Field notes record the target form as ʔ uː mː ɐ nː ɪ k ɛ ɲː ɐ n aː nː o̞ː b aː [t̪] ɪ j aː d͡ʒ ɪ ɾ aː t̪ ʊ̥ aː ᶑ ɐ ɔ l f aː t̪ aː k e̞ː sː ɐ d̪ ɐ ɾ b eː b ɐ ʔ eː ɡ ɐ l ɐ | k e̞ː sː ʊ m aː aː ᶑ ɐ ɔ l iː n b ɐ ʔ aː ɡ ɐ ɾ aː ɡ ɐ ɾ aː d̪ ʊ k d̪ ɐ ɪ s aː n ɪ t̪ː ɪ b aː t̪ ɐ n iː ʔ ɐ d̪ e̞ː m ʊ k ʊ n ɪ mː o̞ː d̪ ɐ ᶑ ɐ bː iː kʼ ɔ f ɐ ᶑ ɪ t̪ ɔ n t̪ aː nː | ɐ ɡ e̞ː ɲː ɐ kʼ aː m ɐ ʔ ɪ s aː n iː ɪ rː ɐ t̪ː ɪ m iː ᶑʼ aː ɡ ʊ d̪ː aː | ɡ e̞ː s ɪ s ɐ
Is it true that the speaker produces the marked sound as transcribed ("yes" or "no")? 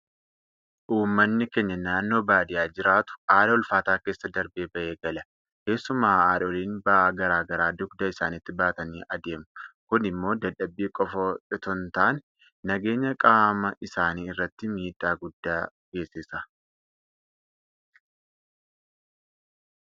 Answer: no